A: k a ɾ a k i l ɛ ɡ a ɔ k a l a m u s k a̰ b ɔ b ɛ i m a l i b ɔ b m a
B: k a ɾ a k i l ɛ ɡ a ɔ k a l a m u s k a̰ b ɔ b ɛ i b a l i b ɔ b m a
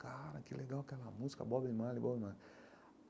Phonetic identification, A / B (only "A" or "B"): A